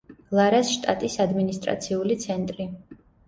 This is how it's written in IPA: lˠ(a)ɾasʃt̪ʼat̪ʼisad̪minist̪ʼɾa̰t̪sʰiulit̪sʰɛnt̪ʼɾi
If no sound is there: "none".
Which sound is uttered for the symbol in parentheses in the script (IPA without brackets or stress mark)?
a